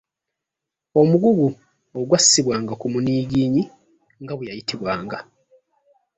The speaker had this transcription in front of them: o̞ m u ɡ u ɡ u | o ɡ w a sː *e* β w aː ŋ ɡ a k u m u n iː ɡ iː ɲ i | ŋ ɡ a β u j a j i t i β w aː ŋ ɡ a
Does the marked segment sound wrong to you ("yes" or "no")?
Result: yes